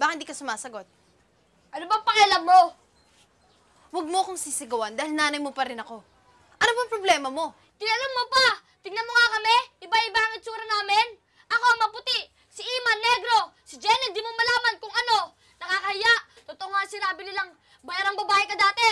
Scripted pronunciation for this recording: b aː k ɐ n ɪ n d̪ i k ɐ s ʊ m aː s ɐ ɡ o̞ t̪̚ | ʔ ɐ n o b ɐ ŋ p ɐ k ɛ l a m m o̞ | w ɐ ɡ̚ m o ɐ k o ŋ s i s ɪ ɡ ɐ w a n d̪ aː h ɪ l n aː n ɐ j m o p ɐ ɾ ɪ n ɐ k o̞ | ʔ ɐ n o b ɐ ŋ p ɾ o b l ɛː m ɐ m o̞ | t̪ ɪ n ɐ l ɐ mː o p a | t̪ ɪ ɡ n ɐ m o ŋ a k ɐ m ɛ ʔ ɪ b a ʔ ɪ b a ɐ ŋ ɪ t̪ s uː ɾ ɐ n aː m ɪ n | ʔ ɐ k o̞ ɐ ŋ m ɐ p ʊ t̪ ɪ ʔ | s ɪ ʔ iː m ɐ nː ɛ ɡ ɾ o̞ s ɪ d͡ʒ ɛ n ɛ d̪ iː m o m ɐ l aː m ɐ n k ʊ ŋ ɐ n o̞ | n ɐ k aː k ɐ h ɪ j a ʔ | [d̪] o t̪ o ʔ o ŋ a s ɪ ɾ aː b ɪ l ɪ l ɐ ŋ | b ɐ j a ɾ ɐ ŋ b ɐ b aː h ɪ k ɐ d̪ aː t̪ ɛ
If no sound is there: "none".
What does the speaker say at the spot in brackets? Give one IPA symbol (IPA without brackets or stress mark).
t̪